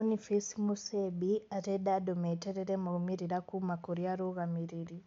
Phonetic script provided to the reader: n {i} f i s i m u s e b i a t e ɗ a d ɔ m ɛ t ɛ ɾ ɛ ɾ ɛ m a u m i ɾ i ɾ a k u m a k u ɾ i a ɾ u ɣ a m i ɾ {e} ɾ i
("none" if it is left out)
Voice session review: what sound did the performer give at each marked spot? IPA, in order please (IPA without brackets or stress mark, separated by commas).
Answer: i, i